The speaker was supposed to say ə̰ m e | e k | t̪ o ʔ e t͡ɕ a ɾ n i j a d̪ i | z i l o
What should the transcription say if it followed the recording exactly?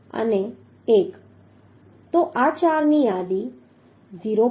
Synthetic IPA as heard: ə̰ n e | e k | t̪ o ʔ a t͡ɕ a ɾ n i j a d̪ i | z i ɾ o